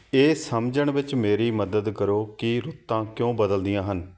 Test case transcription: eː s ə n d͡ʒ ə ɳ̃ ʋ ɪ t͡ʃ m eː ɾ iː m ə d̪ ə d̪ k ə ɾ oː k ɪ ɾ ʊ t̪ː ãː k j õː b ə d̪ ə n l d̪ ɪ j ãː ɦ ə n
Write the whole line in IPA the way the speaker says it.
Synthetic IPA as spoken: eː s ə m d͡ʒ ə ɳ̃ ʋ ɪ t͡ʃ m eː ɾ iː m ə d̪ ə d̪ k ə ɾ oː k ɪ ɾ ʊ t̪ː ãː k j õː b ə d̪ ə l d̪ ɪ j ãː ɦ ə n